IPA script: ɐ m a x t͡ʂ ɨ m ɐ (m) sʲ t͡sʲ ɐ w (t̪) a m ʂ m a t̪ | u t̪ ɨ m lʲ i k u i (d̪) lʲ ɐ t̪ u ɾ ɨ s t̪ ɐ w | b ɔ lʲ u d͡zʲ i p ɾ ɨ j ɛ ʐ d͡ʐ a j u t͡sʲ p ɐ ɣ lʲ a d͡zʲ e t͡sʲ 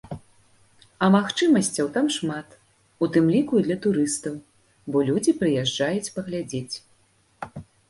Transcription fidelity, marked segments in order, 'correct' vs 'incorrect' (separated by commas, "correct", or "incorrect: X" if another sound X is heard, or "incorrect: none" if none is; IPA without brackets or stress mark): incorrect: none, correct, correct